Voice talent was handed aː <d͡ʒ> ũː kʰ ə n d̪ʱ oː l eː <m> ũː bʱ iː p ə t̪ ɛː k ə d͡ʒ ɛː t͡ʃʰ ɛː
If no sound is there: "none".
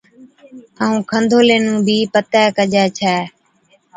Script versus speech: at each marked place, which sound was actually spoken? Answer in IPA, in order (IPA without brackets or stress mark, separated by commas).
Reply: none, n